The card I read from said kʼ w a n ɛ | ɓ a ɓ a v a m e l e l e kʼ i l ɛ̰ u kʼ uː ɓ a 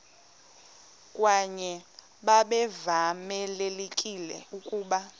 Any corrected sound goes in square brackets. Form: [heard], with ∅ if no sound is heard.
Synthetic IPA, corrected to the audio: kʼ w a [ɲ] ɛ | ɓ a ɓ [ɛ] v a m [ɛ] l e l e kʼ i l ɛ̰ u kʼ uː ɓ a